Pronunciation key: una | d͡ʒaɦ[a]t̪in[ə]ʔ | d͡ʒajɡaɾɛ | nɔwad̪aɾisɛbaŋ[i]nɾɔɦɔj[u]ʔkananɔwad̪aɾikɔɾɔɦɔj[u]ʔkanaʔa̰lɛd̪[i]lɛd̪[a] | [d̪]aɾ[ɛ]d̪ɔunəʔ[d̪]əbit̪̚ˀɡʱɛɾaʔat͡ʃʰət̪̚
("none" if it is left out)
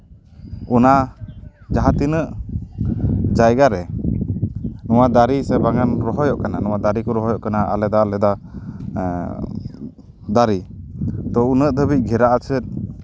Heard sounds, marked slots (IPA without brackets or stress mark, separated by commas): a, ə, a, ɔ, ɔ, a, a, d̪, i, d̪